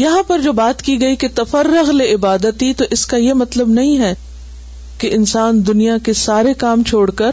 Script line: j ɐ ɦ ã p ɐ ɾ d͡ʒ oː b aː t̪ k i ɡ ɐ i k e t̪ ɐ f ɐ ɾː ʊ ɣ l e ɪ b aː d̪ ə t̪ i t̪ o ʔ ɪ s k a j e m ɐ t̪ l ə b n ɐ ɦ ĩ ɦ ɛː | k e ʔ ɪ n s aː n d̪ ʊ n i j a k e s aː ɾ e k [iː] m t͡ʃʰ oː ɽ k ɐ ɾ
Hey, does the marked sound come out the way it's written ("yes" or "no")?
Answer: no